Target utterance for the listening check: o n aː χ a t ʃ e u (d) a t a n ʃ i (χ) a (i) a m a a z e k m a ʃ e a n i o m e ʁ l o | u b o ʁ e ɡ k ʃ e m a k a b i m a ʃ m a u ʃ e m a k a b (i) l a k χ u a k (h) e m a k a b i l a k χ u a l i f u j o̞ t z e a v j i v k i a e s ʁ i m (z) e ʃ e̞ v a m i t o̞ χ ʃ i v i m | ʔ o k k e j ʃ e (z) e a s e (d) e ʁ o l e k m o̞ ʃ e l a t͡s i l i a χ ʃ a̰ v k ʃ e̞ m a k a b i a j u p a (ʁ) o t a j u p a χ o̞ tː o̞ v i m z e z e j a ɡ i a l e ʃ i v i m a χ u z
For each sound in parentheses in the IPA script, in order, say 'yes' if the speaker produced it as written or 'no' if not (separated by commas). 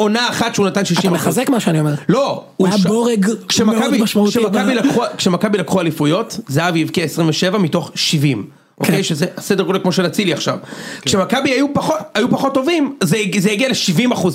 no, no, yes, yes, no, no, yes, yes, no